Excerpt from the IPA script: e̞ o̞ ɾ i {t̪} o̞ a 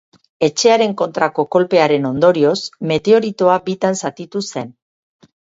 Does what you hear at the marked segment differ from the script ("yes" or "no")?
no